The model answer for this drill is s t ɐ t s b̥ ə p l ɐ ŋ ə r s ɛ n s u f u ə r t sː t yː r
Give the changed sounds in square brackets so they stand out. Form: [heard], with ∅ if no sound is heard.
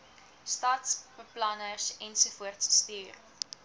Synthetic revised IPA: s t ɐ t s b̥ ə p l ɐ [n] ə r s ɛ n s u f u ə r t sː t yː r

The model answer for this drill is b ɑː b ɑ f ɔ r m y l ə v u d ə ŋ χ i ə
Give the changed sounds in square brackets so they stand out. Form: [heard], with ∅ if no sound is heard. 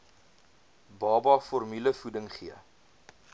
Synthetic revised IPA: b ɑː b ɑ f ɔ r m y l ə [f] u d ə ŋ χ i ə

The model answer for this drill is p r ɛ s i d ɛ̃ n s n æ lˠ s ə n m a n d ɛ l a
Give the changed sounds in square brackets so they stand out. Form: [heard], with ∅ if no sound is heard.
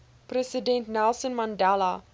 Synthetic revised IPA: p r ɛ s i d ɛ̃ n [t] n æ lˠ s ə n m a n d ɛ l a

